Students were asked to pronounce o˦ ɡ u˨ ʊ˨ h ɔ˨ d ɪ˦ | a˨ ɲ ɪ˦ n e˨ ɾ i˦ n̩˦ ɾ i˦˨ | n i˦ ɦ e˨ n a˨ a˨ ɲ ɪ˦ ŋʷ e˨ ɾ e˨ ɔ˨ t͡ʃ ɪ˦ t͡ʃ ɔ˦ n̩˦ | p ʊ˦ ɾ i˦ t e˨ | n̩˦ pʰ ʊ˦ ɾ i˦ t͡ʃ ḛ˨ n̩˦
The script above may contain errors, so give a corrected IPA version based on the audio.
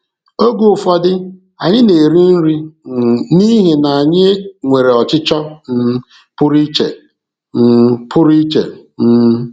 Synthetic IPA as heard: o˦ ɡ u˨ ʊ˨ f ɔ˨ d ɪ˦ | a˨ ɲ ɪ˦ n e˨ ɾ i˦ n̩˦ ɾ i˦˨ | n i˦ ɦ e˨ n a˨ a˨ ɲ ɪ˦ ŋʷ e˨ ɾ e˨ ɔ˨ t͡ʃ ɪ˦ t͡ʃ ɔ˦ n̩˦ | p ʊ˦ ɾ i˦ t͡ʃ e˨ | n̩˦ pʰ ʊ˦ ɾ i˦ t͡ʃ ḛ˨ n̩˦